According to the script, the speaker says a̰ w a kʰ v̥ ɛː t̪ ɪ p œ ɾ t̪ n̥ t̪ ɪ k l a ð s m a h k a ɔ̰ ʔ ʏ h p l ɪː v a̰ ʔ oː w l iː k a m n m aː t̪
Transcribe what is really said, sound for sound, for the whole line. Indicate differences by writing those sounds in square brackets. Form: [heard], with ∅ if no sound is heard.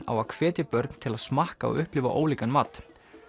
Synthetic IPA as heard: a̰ w a kʰ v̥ ɛː t̪ ɪ p œ ɾ t̪ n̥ [t̪ʰ] ɪ [∅] l a ð s m a h k a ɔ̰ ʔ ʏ h p l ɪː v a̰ ʔ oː w l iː k a [∅] n m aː t̪